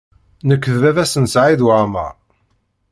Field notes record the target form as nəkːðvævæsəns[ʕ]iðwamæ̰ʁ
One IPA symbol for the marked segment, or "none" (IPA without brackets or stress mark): ʕ